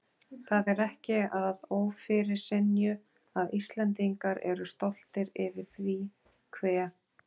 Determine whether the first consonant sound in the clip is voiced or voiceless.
voiceless